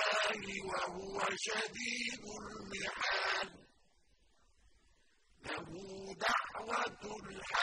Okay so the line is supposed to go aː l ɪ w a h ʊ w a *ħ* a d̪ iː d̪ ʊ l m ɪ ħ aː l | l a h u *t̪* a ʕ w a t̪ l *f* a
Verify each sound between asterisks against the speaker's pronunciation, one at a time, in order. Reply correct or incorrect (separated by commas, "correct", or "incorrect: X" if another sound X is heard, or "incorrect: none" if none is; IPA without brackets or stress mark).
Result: incorrect: ʃ, incorrect: d̪, incorrect: ħ